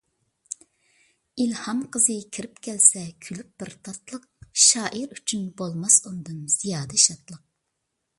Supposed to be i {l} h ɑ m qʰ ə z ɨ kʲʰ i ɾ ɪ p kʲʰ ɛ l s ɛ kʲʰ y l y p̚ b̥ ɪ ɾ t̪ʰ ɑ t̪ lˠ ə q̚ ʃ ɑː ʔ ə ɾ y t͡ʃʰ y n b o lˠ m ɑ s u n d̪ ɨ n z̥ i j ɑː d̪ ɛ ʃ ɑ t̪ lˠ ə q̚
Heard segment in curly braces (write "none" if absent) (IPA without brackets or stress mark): l